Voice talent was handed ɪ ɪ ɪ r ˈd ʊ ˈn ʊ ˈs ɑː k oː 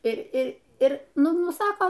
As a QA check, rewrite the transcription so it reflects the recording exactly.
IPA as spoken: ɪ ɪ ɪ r ˈn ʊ ˈn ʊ ˈs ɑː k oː